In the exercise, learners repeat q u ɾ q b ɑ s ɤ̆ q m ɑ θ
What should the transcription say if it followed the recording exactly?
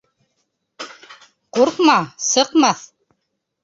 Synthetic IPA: q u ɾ q m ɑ s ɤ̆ q m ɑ θ

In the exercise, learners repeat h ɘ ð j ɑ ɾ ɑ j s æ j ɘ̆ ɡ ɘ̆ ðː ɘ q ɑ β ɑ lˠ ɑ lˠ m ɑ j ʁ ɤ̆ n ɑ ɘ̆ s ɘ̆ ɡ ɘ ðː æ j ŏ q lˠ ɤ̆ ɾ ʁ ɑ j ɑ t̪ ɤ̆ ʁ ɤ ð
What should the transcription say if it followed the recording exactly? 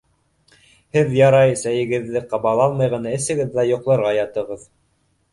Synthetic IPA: h ɘ ð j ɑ ɾ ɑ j s æ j ɘ̆ ɡ ɘ̆ ðː ɘ q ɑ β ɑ lˠ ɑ lˠ m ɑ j ʁ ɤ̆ n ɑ ɘ̆ s ɘ̆ ɡ ɘ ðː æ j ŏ q lˠ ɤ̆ ɾ ʁ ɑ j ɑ t̪ ɤ̆ ʁ ɤ ð

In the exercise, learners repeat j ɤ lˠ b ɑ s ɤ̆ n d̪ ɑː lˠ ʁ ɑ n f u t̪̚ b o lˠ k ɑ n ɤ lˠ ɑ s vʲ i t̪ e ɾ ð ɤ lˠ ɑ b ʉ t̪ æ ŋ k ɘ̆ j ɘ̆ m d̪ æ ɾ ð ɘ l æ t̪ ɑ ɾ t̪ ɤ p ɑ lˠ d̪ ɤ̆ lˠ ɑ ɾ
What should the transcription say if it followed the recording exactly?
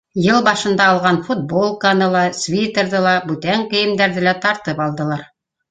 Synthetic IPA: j ɤ lˠ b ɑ ʃ ɤ̆ n d̪ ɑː lˠ ʁ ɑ n f u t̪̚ b o lˠ k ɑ n ɤ lˠ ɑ s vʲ i t̪ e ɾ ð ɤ lˠ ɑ b ʉ t̪ æ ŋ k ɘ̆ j ɘ̆ m d̪ æ ɾ ð ɘ l æ t̪ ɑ ɾ t̪ ɤ p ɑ lˠ d̪ ɤ̆ lˠ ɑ ɾ

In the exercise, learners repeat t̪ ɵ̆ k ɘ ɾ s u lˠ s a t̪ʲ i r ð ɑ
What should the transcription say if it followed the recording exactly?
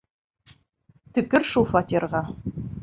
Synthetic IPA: t̪ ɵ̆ k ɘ ɾ ʃ u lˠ f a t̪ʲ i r ʁ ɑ

